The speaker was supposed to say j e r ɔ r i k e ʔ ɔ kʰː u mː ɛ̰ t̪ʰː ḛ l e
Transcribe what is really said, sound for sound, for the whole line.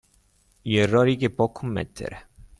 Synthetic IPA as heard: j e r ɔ ɾ i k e p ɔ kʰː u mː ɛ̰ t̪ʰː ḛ ɾ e